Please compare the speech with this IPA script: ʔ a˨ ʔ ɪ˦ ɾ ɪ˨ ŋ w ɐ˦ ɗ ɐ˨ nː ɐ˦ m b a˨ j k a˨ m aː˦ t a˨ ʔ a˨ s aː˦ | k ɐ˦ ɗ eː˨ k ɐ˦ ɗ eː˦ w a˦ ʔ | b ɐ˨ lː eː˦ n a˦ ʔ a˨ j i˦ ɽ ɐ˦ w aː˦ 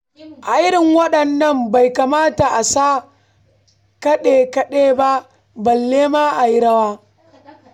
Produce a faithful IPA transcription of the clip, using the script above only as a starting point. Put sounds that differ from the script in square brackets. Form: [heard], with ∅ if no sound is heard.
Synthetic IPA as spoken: ʔ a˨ ʔ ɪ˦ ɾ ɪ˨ ŋ w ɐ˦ ɗ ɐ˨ nː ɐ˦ m b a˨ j k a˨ m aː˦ t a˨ ʔ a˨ s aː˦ | k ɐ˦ ɗ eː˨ k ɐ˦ ɗ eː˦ [b] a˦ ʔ | b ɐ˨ lː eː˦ [m] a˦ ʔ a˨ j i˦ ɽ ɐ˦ w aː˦